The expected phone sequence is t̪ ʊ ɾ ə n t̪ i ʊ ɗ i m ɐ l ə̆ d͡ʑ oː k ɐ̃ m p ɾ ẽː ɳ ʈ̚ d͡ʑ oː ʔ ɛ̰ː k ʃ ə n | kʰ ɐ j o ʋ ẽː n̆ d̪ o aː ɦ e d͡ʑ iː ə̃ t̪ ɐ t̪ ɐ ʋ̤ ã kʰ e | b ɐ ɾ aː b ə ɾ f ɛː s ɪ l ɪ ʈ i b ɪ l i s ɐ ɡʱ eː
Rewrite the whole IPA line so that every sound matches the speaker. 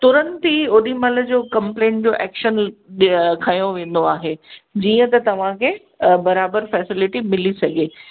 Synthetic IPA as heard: t̪ ʊ ɾ ə n t̪ i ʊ ɗ i m ɐ l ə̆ d͡ʑ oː k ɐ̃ m p l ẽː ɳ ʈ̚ d͡ʑ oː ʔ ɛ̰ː k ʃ ə n | kʰ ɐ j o ʋ ẽː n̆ d̪ o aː ɦ e d͡ʑ iː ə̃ t̪ ɐ t̪ ɐ ʋ̤ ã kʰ e | b ɐ ɾ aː b ə ɾ f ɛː s ɪ l ɪ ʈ i m ɪ l i s ɐ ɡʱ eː